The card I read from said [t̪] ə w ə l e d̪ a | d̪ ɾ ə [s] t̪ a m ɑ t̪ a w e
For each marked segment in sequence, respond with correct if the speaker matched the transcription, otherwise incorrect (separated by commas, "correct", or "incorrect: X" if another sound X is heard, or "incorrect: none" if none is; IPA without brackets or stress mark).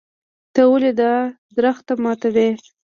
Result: correct, incorrect: x